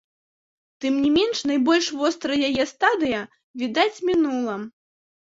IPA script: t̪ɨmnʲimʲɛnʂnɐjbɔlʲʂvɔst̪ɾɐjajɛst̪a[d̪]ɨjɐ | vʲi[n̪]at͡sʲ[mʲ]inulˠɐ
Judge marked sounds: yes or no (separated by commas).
yes, no, yes